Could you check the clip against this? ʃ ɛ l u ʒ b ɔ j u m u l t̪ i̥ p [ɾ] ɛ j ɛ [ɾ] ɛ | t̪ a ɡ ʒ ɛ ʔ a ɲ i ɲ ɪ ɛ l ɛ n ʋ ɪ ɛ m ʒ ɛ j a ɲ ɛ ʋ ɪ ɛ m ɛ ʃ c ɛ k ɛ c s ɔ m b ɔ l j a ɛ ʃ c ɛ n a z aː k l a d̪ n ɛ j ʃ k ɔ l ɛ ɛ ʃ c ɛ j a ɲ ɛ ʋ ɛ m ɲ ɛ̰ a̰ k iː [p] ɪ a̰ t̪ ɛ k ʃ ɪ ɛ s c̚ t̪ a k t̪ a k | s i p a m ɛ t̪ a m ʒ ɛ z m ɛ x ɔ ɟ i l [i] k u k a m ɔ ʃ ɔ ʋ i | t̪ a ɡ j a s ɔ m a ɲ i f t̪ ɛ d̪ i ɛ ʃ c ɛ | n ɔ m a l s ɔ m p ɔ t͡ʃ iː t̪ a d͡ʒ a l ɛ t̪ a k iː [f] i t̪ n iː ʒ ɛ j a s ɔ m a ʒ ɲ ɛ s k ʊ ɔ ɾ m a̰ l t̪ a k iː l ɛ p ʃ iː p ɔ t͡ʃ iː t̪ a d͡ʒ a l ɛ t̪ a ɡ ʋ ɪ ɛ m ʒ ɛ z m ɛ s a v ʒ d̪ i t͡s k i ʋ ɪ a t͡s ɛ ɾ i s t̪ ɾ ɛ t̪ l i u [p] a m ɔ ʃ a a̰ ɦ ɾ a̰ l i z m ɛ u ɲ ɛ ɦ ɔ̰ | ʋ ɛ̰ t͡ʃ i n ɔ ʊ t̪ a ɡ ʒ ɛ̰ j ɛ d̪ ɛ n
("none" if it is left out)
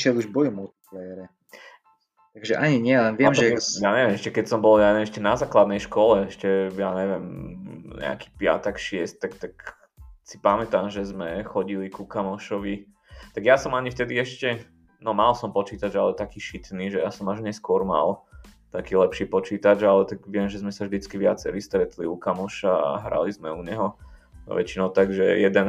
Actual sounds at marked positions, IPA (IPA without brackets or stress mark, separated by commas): l, ɾ, p, i, ʃ, k